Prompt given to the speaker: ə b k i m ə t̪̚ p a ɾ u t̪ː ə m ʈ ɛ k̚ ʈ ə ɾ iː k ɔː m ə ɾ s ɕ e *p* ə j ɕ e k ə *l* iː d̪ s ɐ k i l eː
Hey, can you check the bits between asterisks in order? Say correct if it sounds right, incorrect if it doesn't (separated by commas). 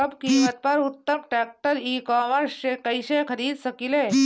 incorrect, incorrect